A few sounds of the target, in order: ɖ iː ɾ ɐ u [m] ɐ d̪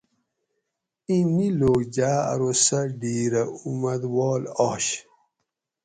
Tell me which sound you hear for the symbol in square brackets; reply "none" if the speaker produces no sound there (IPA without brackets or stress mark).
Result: m